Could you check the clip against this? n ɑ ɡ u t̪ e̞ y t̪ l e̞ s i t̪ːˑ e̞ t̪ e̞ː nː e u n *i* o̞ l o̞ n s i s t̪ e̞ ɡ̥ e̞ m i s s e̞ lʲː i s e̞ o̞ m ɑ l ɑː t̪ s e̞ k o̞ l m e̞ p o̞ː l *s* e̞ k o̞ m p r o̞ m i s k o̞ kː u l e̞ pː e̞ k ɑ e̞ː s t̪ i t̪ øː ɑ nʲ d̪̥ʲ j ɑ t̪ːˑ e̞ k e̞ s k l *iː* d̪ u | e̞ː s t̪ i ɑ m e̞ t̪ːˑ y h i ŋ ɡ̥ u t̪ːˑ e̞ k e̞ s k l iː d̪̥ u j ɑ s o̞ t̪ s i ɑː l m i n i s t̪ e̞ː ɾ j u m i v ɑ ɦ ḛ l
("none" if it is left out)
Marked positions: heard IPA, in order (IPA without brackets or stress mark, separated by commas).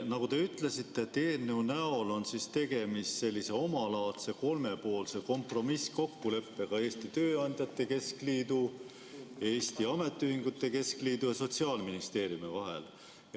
æ, s, iː